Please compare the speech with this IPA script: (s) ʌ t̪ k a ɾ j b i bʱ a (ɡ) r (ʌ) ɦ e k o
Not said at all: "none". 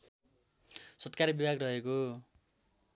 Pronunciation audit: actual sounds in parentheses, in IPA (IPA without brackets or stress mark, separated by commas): s, ɡ, ʌ